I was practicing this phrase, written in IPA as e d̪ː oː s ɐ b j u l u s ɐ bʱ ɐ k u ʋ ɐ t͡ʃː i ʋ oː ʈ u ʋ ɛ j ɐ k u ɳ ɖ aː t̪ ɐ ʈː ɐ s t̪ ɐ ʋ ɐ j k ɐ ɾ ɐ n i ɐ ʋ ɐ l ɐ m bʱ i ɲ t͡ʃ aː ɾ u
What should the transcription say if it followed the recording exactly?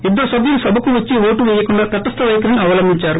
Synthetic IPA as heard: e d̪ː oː s ɐ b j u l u s ɐ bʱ ɐ k u ʋ ɐ t͡ʃː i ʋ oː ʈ u ʋ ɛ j ɐ k u ɳ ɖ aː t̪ ɐ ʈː ɐ s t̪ ɐ ʋ ɐ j k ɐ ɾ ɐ n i ɐ ʋ ɐ l ɐ m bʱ i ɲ t͡ʃ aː ɾ u

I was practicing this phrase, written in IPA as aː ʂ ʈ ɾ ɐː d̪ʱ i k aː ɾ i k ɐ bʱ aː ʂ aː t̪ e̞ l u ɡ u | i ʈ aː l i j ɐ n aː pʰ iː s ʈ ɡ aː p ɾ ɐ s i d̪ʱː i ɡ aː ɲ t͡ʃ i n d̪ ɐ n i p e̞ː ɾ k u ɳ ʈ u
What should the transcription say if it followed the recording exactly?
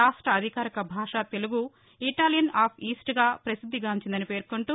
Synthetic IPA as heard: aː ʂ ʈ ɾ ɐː d̪ʱ i k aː ɾ i k ɐ bʱ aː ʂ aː t̪ e̞ l u ɡ u | i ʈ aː l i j ɐ n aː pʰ iː s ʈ ɡ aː p ɾ ɐ s i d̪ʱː i ɡ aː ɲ t͡ʃ i n d̪ ɐ n i p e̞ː ɾ k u ɳ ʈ u

